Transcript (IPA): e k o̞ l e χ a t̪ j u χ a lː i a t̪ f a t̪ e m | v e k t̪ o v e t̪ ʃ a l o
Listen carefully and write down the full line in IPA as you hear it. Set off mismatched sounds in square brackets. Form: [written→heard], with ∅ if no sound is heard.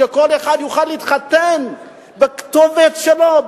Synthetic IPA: e k o̞ l e χ a [t̪→d̪] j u χ a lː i [a→i] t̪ [f→χ] a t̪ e [m→n] | [v→b] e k t̪ o v e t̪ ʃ [a→e] l o

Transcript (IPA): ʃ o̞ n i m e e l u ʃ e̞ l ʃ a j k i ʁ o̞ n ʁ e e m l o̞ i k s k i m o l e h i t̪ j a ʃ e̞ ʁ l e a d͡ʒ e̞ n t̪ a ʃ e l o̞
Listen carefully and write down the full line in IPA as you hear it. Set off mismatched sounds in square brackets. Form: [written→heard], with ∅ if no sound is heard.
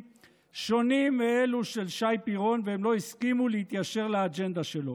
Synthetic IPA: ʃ o̞ n i m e e l u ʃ e̞ l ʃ a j [k→p] i ʁ o̞ n [ʁ→v] e e m l o̞ i [k→∅] s k i m [o→u] l e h i t̪ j a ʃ e̞ ʁ l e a d͡ʒ e̞ n [t̪→d̪] a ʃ e l o̞

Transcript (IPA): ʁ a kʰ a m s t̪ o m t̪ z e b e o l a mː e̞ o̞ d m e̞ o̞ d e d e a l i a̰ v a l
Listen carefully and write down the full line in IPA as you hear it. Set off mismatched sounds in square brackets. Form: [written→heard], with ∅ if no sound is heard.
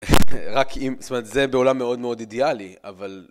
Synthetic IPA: ʁ a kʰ [a→i] m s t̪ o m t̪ z e b e o l a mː e̞ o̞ d m e̞ o̞ d [e→i] d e a l i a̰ v a l

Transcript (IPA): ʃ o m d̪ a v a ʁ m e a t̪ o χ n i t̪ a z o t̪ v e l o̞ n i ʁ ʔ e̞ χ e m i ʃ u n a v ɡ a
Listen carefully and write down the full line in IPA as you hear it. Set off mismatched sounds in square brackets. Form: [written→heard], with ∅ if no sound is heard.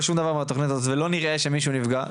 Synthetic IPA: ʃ [o→u] m d̪ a v a ʁ m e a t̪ o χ n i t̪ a z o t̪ v e l o̞ n i ʁ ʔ e̞ [χ→ʃ] e m i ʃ u n [a→i] v ɡ a

